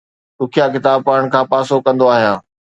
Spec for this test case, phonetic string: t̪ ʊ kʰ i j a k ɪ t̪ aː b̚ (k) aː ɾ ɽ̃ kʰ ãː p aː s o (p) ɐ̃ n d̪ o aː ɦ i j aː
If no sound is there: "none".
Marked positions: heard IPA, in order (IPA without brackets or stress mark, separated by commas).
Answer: p, k